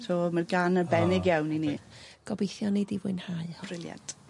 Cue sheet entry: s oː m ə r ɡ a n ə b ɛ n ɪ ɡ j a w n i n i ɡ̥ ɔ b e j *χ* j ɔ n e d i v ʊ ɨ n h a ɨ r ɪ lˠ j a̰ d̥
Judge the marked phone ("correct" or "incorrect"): incorrect